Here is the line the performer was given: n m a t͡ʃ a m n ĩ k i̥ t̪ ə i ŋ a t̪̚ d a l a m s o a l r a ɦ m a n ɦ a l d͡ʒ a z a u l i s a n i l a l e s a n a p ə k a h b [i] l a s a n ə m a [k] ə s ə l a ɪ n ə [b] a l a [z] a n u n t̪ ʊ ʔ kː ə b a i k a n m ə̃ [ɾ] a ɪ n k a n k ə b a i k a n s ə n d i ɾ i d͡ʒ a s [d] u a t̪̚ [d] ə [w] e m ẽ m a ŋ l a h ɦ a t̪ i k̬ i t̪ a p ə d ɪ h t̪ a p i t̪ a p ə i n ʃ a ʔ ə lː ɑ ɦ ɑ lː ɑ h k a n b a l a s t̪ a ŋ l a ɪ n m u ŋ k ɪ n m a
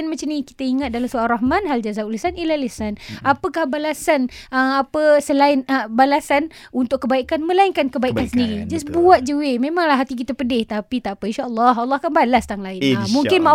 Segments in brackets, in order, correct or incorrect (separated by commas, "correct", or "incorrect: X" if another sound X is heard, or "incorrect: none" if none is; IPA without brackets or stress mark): incorrect: a, incorrect: p, correct, incorrect: s, incorrect: l, incorrect: b, incorrect: d͡ʒ, correct